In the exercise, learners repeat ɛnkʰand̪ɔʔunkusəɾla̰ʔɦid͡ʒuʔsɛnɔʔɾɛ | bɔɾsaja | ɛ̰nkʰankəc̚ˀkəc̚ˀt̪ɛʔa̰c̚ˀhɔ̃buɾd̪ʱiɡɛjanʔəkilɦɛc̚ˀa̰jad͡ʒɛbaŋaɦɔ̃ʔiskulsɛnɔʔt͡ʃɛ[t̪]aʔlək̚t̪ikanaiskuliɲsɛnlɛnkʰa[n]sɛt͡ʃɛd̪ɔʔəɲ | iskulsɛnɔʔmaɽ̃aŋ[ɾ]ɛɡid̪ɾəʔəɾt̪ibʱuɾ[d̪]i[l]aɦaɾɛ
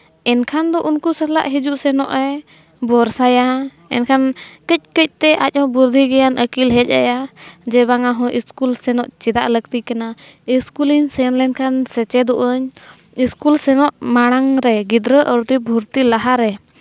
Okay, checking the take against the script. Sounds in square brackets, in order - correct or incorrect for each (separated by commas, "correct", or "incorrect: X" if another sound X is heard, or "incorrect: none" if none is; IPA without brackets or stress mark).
incorrect: d̪, correct, correct, incorrect: t̪, correct